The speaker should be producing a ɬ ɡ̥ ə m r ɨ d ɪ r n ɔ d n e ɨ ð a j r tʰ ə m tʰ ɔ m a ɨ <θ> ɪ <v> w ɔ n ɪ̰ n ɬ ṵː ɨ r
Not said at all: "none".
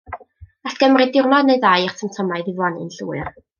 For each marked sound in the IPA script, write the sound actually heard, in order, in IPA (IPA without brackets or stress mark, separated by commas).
ð, v